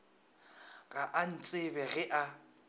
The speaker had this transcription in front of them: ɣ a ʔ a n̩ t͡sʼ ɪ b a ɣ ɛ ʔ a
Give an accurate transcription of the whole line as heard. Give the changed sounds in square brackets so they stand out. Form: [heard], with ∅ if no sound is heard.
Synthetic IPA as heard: ɣ a ʔ a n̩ t͡sʼ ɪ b [ɛ] ɣ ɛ ʔ a